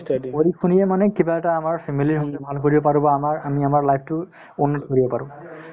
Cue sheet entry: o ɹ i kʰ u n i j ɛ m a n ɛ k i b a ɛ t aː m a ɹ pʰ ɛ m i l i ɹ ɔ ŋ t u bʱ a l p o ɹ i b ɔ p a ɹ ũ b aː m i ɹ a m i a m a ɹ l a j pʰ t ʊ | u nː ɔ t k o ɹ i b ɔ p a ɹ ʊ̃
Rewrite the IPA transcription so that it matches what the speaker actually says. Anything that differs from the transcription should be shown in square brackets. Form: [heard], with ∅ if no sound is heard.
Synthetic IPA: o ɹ i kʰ u n i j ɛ m a n ɛ k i b a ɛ t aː m a ɹ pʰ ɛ m i l i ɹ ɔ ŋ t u bʱ a l [k] o ɹ i b ɔ p a ɹ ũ b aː m [a] ɹ a m i a m a ɹ l a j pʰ t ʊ | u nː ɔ t k o ɹ i b ɔ p a ɹ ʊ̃